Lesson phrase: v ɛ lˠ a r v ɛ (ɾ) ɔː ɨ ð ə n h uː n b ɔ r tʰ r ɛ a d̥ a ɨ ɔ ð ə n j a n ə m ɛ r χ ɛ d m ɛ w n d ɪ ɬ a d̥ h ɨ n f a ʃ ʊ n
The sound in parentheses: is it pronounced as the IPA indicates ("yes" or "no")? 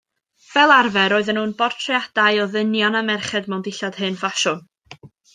yes